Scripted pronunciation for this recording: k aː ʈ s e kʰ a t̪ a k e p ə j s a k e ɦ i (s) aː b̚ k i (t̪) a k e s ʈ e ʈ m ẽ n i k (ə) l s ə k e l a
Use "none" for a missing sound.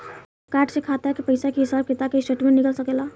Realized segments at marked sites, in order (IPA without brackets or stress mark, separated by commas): s, t̪, ə